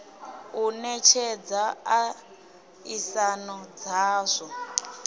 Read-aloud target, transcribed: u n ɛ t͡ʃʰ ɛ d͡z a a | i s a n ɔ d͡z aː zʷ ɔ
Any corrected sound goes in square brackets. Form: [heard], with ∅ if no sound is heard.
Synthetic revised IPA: u n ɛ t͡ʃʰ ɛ d͡z a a | i s a n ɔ d͡z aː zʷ ɔ